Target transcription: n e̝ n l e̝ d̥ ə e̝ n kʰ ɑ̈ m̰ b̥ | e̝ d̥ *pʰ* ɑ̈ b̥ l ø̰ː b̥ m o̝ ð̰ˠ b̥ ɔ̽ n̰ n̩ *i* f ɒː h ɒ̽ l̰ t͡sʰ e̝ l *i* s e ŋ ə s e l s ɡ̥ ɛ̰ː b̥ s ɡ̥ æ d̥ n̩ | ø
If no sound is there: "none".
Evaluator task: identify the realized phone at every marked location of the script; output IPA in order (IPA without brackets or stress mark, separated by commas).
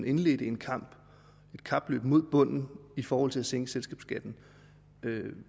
kʰ, i, æ